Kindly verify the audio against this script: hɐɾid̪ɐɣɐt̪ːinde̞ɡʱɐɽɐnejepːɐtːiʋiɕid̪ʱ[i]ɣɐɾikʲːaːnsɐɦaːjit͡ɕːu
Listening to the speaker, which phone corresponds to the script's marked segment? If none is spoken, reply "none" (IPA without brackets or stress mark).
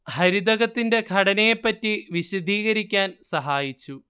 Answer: iː